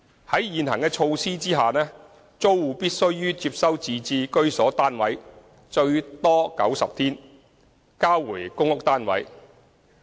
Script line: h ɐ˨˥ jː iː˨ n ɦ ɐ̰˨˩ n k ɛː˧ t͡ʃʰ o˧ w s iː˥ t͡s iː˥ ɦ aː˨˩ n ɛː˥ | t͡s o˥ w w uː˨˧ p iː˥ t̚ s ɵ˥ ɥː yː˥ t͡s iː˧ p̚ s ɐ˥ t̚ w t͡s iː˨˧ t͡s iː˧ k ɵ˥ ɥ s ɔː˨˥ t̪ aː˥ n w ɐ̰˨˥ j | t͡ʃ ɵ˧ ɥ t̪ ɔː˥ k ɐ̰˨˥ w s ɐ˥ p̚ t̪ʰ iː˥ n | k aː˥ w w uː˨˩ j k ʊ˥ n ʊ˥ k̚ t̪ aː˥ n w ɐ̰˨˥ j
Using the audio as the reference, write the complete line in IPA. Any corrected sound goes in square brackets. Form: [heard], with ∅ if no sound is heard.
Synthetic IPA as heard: h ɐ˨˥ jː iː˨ n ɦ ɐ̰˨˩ [ŋ] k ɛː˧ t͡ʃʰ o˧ w s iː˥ t͡s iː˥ ɦ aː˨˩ n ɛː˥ | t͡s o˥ w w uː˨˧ p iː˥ t̚ s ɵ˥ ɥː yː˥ t͡s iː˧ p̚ s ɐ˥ [∅] w t͡s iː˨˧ t͡s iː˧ k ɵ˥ ɥ s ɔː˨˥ t̪ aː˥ n w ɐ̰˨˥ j | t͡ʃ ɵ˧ ɥ t̪ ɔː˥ k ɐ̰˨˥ w s [ɐ˨] p̚ t̪ʰ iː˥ n | k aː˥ w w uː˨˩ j k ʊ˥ [ŋ] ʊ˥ k̚ t̪ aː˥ n w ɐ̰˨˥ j